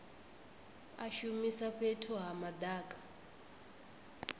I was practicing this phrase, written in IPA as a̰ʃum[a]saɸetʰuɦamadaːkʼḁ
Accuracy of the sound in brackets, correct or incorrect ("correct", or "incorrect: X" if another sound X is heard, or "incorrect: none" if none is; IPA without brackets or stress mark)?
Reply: incorrect: i